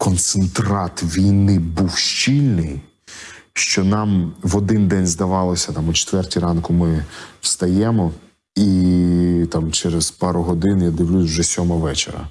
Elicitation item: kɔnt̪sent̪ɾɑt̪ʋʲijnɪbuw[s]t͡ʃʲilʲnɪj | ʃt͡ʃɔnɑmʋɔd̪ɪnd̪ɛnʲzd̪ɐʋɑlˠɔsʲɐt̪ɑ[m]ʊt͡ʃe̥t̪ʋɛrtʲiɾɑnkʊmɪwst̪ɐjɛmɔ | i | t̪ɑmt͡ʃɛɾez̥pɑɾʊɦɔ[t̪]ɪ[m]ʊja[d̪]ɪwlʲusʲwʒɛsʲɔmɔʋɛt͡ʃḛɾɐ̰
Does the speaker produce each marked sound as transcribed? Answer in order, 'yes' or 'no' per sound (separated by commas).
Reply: no, yes, no, no, yes